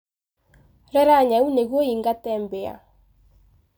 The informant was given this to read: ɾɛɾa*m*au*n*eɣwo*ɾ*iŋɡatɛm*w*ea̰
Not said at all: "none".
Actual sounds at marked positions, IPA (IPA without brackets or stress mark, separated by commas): ɲ, n, none, b